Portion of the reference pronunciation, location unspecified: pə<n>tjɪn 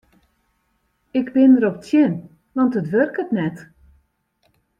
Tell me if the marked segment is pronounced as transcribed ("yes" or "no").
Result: no